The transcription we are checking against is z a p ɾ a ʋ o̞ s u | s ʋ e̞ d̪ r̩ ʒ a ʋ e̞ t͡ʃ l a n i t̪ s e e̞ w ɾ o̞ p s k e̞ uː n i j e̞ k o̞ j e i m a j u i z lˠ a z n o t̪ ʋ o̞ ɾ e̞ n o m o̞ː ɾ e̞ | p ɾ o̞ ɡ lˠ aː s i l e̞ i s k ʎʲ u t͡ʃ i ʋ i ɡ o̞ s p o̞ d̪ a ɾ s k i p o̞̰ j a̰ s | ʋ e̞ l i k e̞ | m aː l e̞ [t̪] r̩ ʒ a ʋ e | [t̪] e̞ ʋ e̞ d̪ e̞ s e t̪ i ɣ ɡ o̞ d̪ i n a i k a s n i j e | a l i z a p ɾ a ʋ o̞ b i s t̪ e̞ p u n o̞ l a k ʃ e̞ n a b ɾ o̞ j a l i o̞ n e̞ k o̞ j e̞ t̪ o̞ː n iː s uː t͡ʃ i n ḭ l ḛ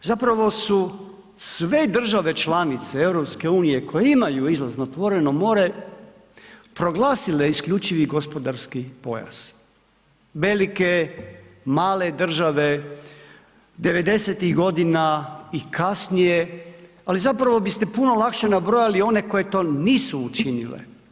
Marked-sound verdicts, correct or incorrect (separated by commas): incorrect, incorrect